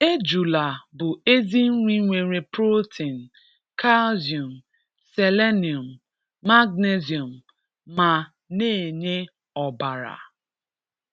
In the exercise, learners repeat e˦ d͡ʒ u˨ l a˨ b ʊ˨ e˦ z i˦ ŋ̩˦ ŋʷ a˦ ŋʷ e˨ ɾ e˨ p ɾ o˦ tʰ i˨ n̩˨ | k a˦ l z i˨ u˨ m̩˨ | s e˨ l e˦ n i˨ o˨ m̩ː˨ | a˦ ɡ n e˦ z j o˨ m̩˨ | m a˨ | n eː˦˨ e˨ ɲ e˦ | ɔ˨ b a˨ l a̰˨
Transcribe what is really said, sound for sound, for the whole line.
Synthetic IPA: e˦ d͡ʒ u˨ l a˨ b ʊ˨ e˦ z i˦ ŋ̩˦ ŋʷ i˦ ŋʷ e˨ ɾ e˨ p ɾ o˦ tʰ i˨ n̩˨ | k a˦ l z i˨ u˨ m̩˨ | s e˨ l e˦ n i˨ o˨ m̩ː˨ | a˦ ɡ n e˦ z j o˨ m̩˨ | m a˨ | n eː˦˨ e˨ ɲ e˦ | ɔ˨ b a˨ ɾ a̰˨